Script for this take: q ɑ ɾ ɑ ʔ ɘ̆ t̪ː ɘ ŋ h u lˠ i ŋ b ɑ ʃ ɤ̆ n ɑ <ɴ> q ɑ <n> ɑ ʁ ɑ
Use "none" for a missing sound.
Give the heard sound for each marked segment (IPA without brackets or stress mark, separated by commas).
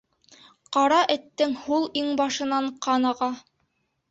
ɴ, n